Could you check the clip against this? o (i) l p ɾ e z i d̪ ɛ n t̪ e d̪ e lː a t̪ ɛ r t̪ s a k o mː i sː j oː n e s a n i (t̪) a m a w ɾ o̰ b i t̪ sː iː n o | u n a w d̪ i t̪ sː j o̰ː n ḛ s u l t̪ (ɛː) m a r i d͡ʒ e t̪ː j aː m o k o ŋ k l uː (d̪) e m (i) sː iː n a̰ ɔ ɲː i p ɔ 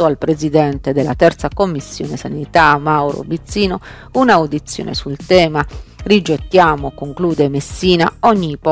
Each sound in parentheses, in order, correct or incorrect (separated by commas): incorrect, correct, correct, correct, incorrect